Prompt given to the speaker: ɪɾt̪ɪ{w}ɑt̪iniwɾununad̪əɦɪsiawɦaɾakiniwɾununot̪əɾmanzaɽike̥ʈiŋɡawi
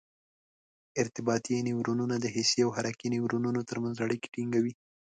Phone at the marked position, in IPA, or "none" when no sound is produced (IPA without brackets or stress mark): b